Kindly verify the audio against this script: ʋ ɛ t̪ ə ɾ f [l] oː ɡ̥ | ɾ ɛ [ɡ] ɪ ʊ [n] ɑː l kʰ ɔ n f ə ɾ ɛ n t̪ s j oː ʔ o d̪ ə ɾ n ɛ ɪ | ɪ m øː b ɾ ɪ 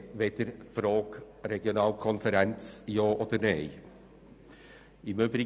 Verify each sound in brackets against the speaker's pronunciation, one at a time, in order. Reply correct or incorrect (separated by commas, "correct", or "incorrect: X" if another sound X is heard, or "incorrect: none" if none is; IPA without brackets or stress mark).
incorrect: ɾ, correct, correct